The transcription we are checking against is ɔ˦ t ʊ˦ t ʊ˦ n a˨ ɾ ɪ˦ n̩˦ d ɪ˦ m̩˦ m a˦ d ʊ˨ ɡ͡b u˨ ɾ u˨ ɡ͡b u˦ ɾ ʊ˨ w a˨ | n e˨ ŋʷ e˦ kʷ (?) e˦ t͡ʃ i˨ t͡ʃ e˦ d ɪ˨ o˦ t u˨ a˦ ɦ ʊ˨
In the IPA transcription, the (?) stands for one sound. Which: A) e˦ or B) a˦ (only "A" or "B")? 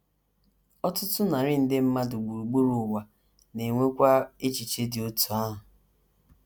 B